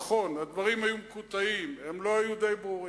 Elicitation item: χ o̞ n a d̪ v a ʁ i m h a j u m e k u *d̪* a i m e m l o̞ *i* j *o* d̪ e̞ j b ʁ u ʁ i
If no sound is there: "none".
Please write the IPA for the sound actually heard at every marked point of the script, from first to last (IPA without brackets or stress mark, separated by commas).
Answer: t̪, a, u